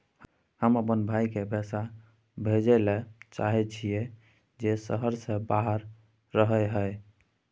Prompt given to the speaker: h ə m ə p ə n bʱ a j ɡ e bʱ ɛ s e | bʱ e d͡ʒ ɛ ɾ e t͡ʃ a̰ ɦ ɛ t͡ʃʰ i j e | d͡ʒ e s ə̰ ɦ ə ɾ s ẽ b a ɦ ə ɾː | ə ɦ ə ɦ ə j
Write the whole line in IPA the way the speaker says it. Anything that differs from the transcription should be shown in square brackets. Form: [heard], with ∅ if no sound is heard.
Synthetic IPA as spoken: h ə m ə p ə n bʱ a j [k] e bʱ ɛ s [a] | bʱ e d͡ʒ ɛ [l] e t͡ʃ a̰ ɦ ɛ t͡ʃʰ i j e | d͡ʒ e s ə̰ ɦ ə ɾ s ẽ b a ɦ ə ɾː | ə ɦ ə ɦ ə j